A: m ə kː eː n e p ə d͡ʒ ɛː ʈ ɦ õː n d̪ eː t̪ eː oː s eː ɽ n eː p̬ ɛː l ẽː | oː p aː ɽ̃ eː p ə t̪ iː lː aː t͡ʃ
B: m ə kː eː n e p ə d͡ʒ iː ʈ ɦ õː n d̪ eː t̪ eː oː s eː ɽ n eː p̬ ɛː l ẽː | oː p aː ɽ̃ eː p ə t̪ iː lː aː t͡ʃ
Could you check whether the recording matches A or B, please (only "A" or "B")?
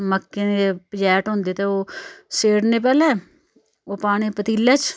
A